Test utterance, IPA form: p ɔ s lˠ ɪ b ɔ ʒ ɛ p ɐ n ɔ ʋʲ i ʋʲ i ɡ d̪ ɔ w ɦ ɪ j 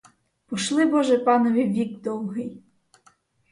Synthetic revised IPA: p ɔ ʃ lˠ ɪ b ɔ ʒ ɛ p ɑ n ɔ ʋʲ i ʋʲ i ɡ d̪ ɔ w ɦ ɪ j